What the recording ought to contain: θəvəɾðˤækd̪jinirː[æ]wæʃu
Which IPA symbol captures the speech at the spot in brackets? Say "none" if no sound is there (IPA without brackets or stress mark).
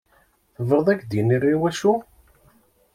i